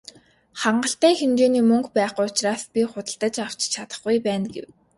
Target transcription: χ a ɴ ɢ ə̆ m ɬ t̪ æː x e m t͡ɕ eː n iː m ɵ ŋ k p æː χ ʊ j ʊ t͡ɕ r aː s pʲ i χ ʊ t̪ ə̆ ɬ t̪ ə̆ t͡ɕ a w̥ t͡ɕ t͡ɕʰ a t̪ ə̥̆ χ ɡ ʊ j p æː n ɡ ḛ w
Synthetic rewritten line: χ a ɴ ɢ ə̆ ɬ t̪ æː x e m t͡ɕ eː n iː m ɵ ŋ k p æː χ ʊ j ʊ t͡ɕ r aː s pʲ i χ ʊ t̪ ə̆ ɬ t̪ ə̆ t͡ɕ a w̥ t͡ɕ t͡ɕʰ a t̪ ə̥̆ χ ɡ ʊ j p æː n ɡ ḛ w

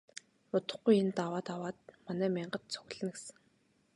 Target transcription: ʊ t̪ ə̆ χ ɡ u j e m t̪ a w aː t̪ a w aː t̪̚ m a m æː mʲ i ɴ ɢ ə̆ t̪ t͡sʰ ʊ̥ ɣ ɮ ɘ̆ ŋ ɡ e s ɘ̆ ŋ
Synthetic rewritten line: ʊ t̪ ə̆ χ ɡ u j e n t̪ a w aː t̪ a w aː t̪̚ m a n æː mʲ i ɴ ɢ ə̆ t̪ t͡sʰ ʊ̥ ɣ ɮ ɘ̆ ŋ ɡ e s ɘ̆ ŋ

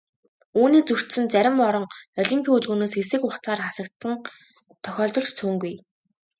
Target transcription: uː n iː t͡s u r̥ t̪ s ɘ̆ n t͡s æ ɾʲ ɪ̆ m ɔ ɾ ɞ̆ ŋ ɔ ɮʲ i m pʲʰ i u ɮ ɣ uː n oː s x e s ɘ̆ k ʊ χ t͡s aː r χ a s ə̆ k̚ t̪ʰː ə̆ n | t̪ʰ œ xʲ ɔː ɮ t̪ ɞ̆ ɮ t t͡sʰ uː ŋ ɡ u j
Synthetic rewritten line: uː n iː t͡s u r̥ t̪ s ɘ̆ n t͡s æ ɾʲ ɪ̆ m ɔ ɾ ɞ̆ ŋ ɔ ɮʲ i m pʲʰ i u ɮ ɣ uː n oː s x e s ɘ̆ k ʊ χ t͡s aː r χ a s ə̆ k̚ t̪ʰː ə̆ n | t̪ʰ œ xʲ ɔː ɮ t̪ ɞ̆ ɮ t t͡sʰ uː ŋ ɡ u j

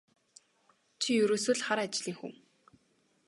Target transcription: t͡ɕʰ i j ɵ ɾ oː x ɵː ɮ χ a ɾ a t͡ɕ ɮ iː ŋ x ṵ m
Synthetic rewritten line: t͡ɕʰ i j ɵ ɾ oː s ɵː ɮ χ a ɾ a t͡ɕ ɮ iː ŋ x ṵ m

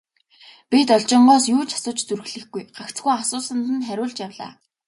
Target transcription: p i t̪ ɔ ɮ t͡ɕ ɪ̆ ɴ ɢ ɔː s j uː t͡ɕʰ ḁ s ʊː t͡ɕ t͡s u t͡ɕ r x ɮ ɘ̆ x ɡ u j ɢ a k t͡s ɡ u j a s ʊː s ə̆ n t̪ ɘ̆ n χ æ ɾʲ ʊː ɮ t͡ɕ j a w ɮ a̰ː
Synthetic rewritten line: p i t̪ ɔ ɮ t͡ɕ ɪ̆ ɴ ɢ ɔː s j uː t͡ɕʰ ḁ s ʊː t͡ɕ t͡s u r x ɮ ɘ̆ x ɡ u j ɢ a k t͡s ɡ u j a s ʊː s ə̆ n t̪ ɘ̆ n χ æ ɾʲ ʊː ɮ t͡ɕ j a w ɮ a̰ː

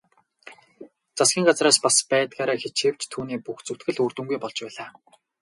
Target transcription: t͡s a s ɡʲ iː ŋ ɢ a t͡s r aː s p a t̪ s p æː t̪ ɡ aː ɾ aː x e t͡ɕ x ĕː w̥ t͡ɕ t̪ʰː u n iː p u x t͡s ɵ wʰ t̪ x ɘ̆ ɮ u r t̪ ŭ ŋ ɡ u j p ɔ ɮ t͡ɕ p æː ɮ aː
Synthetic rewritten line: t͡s a s ɡʲ iː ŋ ɢ a t͡s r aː s p a s p æː t̪ ɡ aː ɾ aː x e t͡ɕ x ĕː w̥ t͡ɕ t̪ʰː uː n iː p u x t͡s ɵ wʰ t̪ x ɘ̆ ɮ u r t̪ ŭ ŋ ɡ u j p ɔ ɮ t͡ɕ p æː ɮ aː

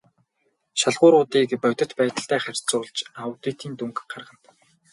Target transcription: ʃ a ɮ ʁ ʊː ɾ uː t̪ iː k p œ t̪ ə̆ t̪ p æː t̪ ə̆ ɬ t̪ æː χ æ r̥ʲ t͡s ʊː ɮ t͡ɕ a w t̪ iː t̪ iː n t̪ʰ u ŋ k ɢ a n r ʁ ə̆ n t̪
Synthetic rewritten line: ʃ a ɮ ʁ ʊː ɾ ʊː t̪ iː k p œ t̪ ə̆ t̪ p æː t̪ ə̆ ɬ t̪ æː χ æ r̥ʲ t͡s ʊː ɮ t͡ɕ a w t̪ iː t̪ iː n t̪ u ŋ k ɢ a r ʁ ə̆ n t̪

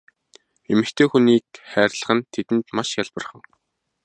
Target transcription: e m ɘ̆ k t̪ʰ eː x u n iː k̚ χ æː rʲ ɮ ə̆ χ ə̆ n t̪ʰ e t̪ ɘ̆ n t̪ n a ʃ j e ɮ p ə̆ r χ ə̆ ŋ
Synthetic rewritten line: e m ɘ̆ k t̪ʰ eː x u n iː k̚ χ æː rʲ ɮ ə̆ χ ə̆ n t̪ʰ e t̪ ɘ̆ n t̪ m a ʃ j a ɮ p ə̆ r χ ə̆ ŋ

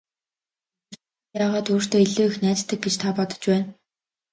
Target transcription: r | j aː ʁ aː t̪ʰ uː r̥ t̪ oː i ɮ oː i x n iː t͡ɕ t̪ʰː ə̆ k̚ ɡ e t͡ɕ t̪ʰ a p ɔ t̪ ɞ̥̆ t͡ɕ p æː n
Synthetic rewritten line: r | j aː ʁ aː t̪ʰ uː r̥ t̪ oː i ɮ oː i x n æː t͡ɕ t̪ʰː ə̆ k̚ ɡ e t͡ɕ t̪ʰ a p ɔ t̪ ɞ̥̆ t͡ɕ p æː n

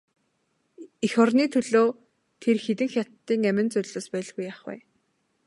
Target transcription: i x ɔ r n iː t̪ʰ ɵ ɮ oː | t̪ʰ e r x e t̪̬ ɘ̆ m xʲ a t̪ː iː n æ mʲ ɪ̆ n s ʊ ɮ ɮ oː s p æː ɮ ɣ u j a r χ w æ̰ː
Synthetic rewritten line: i x ɔ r n iː t̪ʰ ɵ ɮ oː | t̪ʰ e r x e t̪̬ ɘ̆ ŋ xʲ a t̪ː iː ŋ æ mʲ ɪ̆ n t͡s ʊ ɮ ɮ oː s p æː ɮ ɣ u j a χ w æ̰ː

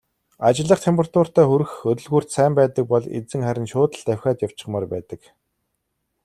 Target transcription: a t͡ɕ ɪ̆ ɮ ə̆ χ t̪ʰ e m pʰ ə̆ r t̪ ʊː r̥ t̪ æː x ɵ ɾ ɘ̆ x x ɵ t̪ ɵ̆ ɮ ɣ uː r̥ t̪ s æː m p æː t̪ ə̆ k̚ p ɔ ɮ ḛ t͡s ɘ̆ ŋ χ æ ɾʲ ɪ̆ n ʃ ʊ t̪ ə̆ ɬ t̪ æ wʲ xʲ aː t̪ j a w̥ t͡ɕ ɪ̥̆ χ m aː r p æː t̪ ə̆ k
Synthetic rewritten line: a t͡ɕ ɪ̆ ɮ ə̆ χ t̪ʰ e m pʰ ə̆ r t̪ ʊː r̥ t̪ æː x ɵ ɾ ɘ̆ x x ɵ t̪ ɵ̆ ɮ ɣ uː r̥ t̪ s æː m p æː t̪ ə̆ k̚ p ɔ ɮ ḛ t͡s ɘ̆ ŋ χ æ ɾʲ ɪ̆ n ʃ ʊː t̪ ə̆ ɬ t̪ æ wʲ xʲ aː t̪ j a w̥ t͡ɕ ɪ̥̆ χ m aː r p æː t̪ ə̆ k

